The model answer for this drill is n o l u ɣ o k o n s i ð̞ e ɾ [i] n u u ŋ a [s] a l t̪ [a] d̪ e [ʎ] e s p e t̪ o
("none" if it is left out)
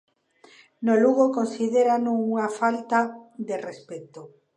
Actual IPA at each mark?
a, f, a, r

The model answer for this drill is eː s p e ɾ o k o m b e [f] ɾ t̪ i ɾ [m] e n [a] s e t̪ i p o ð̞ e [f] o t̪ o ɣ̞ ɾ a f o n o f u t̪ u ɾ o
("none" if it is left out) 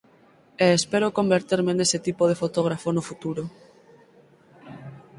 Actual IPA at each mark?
none, m, e, f

